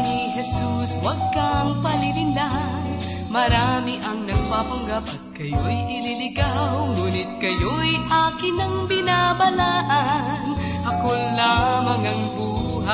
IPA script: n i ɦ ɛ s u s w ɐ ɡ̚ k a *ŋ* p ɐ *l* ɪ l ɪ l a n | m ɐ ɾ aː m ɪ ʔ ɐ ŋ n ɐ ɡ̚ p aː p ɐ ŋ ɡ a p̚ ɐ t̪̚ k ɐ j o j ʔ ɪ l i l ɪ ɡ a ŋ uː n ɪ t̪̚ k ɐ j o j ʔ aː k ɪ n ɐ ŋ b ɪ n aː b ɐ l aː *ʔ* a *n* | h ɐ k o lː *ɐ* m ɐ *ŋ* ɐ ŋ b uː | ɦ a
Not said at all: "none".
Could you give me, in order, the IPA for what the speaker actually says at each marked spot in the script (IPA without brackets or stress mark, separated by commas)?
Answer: ŋ, l, ʔ, n, a, ŋ